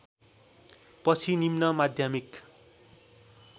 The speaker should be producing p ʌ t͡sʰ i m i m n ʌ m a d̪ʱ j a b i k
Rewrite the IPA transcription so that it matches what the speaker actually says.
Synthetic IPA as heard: p ʌ t͡sʰ i n i m n ʌ m a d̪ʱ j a m i k